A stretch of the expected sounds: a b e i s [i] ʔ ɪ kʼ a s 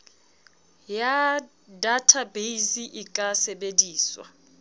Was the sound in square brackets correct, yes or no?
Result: yes